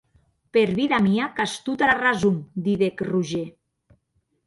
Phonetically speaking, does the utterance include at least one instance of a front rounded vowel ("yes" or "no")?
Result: no